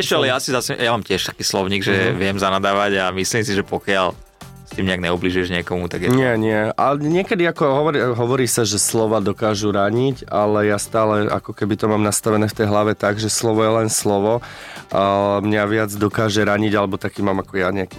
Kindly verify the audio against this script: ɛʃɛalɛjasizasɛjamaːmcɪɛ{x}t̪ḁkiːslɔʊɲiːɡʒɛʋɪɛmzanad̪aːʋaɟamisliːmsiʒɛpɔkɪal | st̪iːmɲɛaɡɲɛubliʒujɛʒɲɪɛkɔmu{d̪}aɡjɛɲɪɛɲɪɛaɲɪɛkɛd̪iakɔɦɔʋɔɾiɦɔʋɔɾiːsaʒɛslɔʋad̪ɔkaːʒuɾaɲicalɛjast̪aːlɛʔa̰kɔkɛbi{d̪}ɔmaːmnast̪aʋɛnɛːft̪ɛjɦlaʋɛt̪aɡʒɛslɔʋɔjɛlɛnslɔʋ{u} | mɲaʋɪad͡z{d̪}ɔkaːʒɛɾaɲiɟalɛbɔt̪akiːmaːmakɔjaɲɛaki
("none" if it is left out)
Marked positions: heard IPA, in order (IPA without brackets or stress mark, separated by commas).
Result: ʃ, t̪, t̪, ɔ, d̪